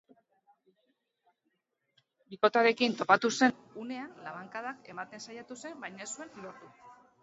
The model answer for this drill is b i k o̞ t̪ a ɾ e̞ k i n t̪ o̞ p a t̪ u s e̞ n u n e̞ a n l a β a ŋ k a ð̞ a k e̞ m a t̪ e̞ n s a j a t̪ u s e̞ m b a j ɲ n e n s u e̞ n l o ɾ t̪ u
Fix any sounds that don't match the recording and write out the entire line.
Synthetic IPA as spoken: b i k o̞ t̪ a ɾ e̞ k i n t̪ o̞ p a t̪ u s e̞ n u n e̞ a n l a β a ŋ k a ð̞ a k e̞ m a t̪ e̞ n s a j a t̪ u s e̞ m b a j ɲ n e s u e̞ n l o ɾ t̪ u